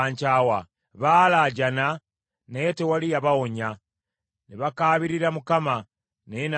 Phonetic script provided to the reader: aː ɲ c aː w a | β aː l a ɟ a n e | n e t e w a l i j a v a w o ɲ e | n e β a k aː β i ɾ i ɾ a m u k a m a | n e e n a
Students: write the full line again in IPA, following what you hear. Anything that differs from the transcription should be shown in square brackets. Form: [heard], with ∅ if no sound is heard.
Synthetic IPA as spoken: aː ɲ c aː w a | β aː l a ɟ a n [a] | n e t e w a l i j a [β] a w o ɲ [a] | n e β a k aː β i ɾ i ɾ a m u k a m a | n e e n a